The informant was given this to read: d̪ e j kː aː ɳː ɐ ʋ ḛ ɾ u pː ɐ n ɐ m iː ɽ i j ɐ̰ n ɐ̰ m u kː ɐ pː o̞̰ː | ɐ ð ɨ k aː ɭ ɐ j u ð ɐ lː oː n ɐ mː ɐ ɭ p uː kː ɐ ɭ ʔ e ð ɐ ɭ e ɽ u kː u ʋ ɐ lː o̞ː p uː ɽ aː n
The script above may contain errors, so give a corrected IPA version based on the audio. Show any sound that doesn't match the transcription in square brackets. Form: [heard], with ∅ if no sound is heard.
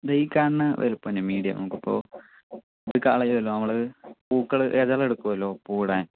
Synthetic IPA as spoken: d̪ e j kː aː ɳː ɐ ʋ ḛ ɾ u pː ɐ n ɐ m iː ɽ i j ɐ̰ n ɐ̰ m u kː ɐ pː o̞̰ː | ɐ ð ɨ k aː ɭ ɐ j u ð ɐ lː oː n ɐ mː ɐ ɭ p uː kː ɐ ɭ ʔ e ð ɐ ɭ e ɽ u kː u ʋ ɐ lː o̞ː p uː ɽ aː n